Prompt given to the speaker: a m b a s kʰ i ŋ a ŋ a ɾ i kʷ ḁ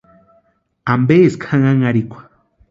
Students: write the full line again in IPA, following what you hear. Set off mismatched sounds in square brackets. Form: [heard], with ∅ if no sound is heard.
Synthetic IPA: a m b [e] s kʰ [a] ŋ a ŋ a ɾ i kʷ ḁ